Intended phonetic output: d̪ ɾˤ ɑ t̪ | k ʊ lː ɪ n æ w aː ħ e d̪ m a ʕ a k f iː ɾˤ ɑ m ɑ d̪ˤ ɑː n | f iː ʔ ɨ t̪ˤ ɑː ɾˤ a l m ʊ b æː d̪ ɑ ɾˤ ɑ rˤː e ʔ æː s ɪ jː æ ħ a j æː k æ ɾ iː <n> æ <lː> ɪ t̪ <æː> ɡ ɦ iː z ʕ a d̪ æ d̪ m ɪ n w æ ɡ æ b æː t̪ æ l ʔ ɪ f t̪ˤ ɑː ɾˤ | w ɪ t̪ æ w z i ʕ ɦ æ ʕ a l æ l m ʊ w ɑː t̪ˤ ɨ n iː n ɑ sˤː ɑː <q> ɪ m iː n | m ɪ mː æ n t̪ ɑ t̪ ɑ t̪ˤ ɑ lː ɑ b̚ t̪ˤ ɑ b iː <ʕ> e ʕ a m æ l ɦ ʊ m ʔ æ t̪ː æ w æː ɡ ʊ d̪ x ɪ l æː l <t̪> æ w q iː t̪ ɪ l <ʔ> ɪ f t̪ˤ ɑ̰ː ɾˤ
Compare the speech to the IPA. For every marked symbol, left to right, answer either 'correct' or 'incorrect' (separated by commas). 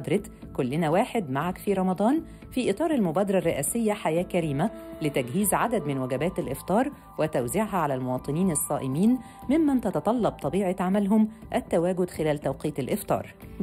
incorrect, incorrect, incorrect, incorrect, correct, correct, correct